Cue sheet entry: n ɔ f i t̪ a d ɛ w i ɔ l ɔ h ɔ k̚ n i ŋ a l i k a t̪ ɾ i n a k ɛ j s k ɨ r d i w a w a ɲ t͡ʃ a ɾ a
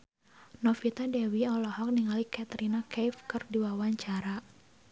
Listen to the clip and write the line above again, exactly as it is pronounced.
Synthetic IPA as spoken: n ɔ f i t̪ a d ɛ w i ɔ l ɔ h ɔ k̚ n i ŋ a l i k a t̪ ɾ i n a k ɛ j f k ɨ r d i w a w a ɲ t͡ʃ a ɾ a